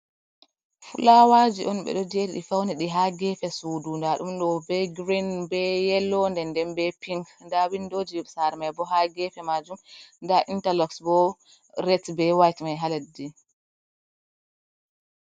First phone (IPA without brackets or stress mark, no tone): f